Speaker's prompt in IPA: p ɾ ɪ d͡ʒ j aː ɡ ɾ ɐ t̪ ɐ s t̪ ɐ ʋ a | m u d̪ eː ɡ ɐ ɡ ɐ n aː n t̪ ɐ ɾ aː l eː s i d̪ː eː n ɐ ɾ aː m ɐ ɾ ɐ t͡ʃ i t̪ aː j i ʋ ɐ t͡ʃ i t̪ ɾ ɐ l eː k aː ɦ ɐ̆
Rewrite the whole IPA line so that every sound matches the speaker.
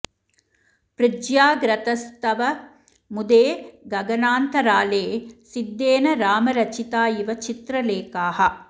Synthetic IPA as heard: p ɾ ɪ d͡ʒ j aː ɡ ɾ ɐ t̪ ɐ s t̪ ɐ ʋ ɐ | m u d̪ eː ɡ ɐ ɡ ɐ n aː n t̪ ɐ ɾ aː l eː s i d̪ː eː n ɐ ɾ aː m ɐ ɾ ɐ t͡ʃ i t̪ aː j i ʋ ɐ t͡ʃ i t̪ ɾ ɐ l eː k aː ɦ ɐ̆